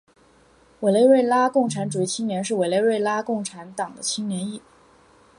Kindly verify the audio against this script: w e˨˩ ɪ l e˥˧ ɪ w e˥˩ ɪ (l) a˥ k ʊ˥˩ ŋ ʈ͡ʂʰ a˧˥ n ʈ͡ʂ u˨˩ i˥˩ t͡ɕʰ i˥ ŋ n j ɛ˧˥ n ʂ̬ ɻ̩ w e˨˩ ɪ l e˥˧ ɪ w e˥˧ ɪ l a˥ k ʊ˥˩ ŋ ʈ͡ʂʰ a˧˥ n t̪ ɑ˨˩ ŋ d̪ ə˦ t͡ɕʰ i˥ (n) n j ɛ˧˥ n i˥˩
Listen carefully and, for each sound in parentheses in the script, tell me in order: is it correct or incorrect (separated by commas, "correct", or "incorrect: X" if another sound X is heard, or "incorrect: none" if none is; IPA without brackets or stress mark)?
correct, incorrect: ŋ